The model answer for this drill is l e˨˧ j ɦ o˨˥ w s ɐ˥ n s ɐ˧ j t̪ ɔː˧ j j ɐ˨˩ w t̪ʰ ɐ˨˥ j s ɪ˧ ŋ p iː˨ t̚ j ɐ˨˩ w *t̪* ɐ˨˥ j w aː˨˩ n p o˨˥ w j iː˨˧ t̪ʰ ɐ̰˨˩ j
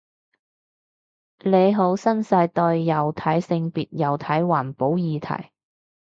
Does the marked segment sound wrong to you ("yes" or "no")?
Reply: yes